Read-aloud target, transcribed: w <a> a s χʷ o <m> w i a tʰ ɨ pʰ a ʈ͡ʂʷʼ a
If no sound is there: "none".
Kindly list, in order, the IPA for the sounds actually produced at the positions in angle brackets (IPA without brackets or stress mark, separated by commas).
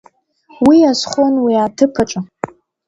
i, n